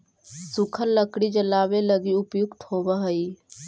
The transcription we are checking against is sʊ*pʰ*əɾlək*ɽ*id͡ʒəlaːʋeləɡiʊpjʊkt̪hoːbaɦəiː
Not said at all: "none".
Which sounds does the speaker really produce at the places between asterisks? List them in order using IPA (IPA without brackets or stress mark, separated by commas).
kʰ, ɽ